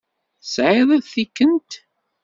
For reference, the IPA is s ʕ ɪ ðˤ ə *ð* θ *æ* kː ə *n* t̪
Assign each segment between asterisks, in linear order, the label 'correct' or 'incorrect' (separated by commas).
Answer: correct, incorrect, correct